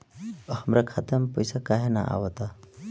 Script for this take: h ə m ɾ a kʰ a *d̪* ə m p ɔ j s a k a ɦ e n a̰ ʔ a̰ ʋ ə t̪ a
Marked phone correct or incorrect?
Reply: incorrect